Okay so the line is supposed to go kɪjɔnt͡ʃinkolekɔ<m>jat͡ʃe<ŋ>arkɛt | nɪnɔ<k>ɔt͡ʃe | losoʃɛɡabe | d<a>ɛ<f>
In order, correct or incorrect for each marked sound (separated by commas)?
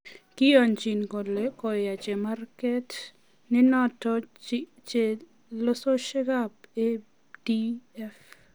incorrect, incorrect, incorrect, incorrect, correct